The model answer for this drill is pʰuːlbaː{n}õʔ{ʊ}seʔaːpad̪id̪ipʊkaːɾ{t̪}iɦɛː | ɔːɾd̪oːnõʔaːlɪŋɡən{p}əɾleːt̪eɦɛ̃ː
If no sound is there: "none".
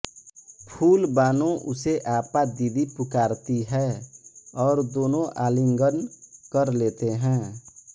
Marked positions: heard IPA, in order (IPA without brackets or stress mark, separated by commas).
n, ʊ, t̪, k